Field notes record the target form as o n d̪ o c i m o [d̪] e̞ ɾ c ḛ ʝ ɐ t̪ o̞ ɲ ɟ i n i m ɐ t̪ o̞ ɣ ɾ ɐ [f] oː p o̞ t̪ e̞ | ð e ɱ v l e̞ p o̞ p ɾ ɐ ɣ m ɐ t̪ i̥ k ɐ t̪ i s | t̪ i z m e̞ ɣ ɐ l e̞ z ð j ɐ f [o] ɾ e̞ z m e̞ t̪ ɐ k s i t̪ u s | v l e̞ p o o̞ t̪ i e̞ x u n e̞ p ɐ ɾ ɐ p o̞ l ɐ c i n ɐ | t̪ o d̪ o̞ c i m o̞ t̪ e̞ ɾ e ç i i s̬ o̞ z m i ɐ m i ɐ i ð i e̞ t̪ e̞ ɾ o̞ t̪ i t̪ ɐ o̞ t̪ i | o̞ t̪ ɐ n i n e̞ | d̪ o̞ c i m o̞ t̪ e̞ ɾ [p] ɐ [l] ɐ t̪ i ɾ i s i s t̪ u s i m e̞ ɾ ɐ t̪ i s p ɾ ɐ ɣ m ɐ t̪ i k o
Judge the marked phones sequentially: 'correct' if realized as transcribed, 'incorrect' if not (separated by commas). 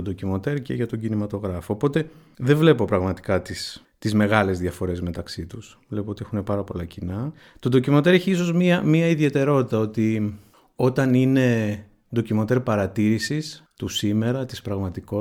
incorrect, correct, correct, correct, incorrect